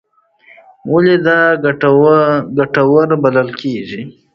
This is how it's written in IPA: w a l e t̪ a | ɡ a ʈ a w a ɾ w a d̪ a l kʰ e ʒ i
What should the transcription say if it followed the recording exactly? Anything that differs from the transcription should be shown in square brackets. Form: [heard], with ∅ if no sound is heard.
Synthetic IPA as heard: w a l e [d̪] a | ɡ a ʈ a w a ɾ [b] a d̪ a l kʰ e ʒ i

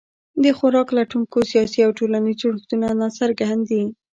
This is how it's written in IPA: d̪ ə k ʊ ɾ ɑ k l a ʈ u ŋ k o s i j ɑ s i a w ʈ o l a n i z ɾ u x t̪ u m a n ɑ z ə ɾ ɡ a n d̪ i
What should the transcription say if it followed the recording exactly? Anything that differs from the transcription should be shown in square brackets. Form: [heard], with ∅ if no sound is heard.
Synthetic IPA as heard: d̪ ə [x] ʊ ɾ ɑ k l a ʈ u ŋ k o s i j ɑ s i a w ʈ o l a n i z [ɽ] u x t̪ u [n] a n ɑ [s] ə ɾ ɡ a n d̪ i

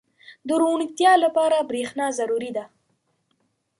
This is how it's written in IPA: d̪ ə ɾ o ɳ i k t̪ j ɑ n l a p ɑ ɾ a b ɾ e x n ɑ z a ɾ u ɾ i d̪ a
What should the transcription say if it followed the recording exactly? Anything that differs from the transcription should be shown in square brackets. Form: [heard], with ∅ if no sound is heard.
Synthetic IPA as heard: d̪ ə ɾ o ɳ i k t̪ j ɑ [∅] l a p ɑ ɾ a b ɾ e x n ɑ z a ɾ u ɾ i d̪ a

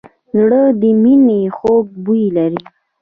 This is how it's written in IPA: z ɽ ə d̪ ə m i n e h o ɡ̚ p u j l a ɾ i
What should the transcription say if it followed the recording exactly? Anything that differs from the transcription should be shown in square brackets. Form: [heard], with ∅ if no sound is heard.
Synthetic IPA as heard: z ɽ ə d̪ ə m i n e [x] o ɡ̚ [b] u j l a ɾ i

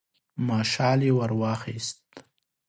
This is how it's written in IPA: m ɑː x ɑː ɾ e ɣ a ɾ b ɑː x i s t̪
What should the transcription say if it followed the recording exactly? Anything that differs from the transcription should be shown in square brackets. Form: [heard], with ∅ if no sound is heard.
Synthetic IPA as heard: m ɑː [ʃ] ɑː [l] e [w] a ɾ [w] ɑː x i s t̪

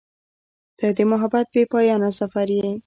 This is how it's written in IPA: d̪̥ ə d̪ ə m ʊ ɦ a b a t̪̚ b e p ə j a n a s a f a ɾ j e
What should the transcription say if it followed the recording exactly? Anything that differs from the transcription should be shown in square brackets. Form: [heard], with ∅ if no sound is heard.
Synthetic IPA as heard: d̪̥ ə d̪ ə m ʊ ɦ a b a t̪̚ b e p [ɑ] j [ɑ] n a s a f a ɾ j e

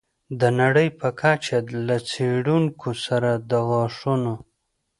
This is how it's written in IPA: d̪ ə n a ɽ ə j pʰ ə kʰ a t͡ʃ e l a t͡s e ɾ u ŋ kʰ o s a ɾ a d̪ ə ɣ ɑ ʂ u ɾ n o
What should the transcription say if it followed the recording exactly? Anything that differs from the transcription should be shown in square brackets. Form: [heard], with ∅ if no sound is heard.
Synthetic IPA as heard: d̪ ə n a ɽ ə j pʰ ə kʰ a t͡ʃ [a] l a t͡s e [ɽ] u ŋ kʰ o s a ɾ a d̪ ə ɣ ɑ ʂ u [∅] n o

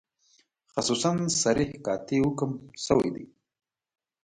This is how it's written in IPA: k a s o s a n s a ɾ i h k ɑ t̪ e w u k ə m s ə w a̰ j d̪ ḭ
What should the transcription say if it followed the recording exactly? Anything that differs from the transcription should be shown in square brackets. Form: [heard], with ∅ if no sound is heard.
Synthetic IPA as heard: [x] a s [u] s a n s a ɾ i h k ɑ t̪ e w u k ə m s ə w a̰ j d̪ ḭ

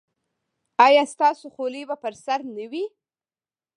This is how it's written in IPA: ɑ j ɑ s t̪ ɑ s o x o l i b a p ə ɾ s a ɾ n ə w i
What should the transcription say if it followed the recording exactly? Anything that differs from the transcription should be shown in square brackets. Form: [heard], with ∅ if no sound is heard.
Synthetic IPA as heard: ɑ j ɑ s t̪ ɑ s o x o l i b a p ə ɾ s a ɾ n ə w i

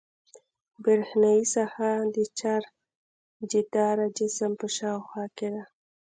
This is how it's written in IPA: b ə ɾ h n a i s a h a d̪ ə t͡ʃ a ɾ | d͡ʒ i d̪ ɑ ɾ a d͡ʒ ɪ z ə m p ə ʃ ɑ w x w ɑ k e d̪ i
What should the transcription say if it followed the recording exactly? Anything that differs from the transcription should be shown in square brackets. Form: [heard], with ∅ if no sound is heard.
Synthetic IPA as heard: b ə ɾ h n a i s a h a d̪ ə t͡ʃ a ɾ | d͡ʒ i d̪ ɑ ɾ a d͡ʒ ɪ [s] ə m p ə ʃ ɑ w x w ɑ k e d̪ [a]

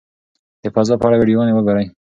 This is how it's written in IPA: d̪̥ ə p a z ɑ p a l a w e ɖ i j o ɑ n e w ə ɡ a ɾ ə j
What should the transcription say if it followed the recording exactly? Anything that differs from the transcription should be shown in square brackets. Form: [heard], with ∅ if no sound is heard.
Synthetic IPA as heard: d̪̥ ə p a z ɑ p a [ɽ] a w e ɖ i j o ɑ n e w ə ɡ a ɾ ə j

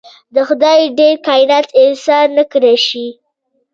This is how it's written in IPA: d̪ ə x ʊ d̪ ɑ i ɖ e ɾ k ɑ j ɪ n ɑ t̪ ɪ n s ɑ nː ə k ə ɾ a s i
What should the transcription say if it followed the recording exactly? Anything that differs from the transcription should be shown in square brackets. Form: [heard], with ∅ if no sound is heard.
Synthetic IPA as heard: d̪ ə x ʊ d̪ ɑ [j] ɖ e ɾ k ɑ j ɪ n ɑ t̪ ɪ n s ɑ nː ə k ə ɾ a [ʃ] i

